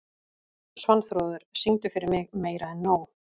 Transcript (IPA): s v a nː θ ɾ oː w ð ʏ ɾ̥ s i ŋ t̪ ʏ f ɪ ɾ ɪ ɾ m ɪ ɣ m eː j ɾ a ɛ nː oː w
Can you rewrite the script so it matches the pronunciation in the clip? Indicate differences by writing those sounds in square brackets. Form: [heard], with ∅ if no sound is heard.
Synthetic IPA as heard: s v a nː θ ɾ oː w ð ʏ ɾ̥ s i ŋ t̪ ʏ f ɪ ɾ ɪ ɾ m ɪ ɣ m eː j ɾ a ɛ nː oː w